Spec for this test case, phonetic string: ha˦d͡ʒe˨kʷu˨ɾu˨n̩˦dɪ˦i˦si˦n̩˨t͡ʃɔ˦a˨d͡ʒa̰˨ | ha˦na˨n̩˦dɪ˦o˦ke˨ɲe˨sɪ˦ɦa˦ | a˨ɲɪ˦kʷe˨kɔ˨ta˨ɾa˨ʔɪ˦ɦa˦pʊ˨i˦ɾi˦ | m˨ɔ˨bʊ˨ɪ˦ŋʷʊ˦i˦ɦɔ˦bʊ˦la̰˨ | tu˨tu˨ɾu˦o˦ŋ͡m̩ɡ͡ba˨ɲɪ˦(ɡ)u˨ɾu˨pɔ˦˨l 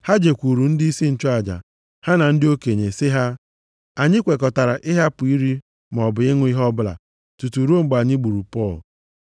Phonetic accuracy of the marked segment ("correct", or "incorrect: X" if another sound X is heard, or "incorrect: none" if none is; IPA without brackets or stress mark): incorrect: ɡ͡b